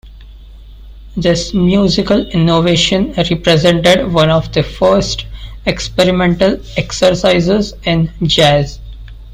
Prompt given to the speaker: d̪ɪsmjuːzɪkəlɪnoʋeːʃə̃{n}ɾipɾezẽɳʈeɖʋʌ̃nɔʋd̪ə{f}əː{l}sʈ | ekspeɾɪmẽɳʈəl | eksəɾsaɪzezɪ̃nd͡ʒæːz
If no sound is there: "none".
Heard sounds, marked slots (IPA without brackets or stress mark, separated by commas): n, f, ɾ